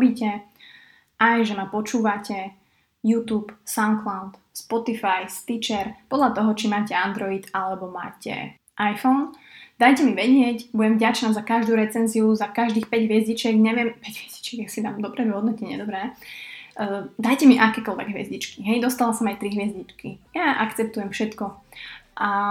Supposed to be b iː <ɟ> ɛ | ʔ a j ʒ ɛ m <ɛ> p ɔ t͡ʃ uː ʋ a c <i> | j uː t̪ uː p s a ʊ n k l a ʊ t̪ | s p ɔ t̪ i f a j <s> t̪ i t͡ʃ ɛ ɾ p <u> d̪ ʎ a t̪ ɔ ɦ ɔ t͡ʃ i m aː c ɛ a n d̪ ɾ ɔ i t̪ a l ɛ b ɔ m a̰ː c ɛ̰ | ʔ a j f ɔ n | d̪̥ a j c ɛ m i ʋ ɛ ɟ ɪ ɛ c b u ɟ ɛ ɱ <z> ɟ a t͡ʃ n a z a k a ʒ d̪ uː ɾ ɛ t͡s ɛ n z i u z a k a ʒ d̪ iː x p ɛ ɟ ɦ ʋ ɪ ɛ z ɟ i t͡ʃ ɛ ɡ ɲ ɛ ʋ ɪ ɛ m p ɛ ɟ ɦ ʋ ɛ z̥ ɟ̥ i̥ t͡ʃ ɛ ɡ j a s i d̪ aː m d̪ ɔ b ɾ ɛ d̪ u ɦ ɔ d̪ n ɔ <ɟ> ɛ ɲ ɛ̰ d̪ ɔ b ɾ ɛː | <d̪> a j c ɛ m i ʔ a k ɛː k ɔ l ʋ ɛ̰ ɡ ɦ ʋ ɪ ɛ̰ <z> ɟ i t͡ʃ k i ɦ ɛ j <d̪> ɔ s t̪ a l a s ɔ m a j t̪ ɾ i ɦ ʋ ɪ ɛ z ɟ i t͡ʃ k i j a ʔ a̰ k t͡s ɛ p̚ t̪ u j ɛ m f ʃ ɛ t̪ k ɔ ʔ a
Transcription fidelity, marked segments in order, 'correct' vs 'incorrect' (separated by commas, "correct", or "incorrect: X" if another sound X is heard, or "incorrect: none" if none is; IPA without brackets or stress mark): incorrect: c, incorrect: a, incorrect: ɛ, correct, incorrect: ɔ, incorrect: v, incorrect: c, correct, correct, correct